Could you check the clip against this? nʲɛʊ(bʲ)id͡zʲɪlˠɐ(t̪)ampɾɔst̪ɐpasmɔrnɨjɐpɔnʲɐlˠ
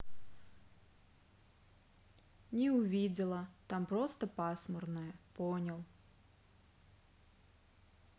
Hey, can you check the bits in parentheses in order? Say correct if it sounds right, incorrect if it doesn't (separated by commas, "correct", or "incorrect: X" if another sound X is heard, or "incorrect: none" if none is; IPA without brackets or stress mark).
incorrect: vʲ, correct